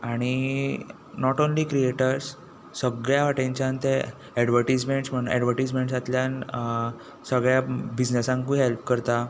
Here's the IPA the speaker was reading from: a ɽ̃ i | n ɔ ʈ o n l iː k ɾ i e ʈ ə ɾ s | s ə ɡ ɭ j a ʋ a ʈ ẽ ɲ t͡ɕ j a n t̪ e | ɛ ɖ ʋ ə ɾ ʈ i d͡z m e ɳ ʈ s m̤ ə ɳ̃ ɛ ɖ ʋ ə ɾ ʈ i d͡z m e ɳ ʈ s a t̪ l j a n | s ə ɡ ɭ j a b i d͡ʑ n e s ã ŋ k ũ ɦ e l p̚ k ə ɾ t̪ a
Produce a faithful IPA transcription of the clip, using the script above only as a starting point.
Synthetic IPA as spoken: a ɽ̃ i | n ɔ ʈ o n l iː k ɾ i e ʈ ə ɾ s | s ə ɡ ɭ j a ʋ a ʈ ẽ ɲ t͡ɕ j a n t̪ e | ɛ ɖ ʋ ə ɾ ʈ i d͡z m e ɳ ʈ s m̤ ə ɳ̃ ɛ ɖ ʋ ə ɾ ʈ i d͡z m e ɳ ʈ s a t̪ l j a n | s ə ɡ ɭ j a b i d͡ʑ n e s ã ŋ k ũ ɦ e l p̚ k ə ɾ t̪ a